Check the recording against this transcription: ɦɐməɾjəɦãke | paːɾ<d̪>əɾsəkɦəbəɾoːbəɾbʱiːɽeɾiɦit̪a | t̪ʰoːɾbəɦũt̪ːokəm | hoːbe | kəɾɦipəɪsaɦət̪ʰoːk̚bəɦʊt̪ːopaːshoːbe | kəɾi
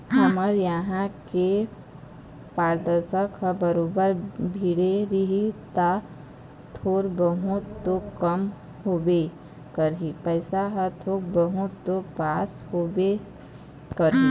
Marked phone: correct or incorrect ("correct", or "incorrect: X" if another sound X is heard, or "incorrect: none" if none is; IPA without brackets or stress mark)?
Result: correct